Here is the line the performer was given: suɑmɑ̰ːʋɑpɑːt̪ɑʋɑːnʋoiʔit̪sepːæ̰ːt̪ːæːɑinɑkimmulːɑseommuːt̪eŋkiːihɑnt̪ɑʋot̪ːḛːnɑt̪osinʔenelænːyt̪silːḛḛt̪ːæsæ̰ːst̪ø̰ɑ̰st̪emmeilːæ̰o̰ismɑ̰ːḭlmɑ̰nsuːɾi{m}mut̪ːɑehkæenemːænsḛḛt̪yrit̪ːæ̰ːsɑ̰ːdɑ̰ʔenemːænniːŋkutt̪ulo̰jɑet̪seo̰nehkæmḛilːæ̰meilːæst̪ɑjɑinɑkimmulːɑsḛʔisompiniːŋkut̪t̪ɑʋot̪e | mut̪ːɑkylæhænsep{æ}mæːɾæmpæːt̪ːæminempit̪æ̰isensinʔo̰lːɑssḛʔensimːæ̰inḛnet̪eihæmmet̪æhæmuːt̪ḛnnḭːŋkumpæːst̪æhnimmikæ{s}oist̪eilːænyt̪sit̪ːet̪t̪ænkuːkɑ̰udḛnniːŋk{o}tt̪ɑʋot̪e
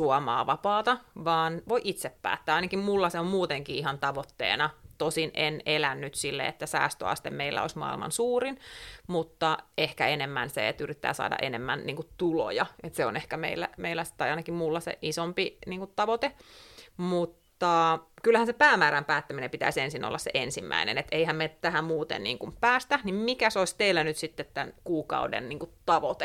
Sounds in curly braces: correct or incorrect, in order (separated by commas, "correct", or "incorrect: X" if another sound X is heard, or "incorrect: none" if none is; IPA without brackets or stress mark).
incorrect: n, incorrect: æː, correct, incorrect: u